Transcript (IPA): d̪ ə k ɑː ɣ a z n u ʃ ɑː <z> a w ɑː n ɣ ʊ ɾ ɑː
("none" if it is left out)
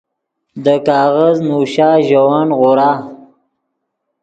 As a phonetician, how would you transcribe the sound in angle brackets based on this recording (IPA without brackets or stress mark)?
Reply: ʒ